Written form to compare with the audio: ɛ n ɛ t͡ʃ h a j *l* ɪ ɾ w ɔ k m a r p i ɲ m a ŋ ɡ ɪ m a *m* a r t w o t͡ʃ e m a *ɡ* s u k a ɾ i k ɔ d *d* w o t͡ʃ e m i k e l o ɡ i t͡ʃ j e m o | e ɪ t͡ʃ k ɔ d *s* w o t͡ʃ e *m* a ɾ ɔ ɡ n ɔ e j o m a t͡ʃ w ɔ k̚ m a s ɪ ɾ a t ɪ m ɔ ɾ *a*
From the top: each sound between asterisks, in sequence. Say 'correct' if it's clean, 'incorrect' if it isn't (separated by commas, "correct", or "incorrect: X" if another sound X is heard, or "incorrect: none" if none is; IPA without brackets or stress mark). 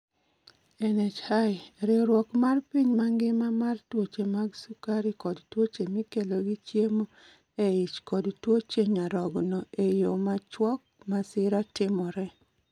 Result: incorrect: ɾ, correct, correct, incorrect: t, incorrect: t, incorrect: ɲ, incorrect: ɛ